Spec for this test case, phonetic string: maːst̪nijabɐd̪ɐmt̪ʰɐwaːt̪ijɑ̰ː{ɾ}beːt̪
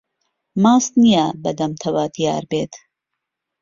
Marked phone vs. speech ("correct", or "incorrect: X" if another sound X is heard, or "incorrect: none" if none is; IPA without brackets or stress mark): correct